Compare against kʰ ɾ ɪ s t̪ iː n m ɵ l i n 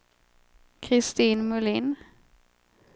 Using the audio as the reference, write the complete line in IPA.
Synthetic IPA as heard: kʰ ɾ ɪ s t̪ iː n m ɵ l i n